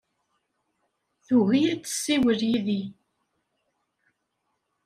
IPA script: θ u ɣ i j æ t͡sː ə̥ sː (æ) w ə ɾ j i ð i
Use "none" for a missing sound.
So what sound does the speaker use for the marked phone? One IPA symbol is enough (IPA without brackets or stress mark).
i